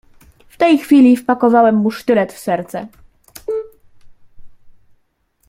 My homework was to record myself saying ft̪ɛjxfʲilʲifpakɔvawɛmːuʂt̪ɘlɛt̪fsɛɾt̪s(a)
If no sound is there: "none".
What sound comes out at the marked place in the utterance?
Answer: ɛ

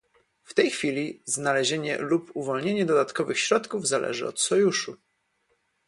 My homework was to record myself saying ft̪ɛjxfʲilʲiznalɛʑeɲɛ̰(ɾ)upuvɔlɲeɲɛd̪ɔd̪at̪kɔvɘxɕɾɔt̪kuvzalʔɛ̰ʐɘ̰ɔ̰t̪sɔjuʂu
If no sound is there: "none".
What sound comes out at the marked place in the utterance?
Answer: l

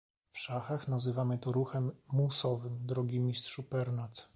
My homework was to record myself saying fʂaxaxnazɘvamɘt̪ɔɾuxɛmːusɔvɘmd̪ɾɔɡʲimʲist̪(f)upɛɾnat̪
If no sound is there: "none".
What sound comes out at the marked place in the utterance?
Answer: ʂ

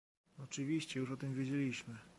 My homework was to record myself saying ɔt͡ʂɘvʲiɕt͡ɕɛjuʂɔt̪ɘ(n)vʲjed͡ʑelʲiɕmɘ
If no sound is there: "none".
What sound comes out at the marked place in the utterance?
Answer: m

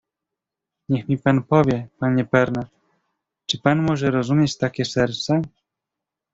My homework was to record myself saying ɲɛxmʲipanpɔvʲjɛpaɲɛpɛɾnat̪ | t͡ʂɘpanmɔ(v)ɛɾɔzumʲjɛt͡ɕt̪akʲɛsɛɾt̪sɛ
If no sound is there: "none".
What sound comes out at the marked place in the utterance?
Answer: ʐ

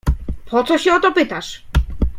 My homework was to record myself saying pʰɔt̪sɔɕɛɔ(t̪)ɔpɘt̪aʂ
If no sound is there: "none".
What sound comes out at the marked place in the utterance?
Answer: t̪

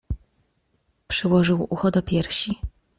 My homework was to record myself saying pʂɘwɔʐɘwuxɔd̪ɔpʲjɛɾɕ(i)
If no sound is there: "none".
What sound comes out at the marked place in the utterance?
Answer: i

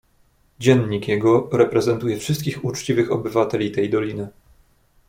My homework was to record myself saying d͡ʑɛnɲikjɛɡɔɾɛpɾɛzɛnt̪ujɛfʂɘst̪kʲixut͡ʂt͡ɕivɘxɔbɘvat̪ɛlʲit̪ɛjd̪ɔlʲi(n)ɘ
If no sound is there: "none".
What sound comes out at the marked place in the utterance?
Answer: n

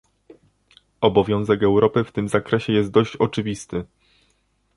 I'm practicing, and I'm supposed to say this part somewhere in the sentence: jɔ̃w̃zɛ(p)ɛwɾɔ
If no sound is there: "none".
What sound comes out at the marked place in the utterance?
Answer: k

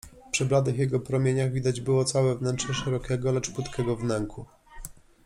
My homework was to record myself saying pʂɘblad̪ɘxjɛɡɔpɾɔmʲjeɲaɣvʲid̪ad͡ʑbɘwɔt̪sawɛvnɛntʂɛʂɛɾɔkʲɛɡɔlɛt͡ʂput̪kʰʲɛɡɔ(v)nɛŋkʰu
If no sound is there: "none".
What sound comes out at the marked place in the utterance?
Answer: v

